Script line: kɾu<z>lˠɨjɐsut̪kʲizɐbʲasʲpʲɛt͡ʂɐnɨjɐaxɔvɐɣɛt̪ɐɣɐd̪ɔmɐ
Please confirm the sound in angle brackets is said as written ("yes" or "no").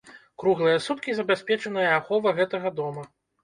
no